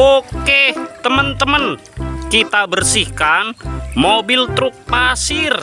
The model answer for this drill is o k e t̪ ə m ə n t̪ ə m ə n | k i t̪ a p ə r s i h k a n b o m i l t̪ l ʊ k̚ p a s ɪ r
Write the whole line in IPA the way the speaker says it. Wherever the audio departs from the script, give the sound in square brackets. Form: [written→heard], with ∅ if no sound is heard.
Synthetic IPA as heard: o k e t̪ ə m ə n t̪ ə m ə n | k i t̪ a [p→b] ə r s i h k a n [b→m] o [m→b] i l t̪ [l→ɾ] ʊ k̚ p a s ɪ r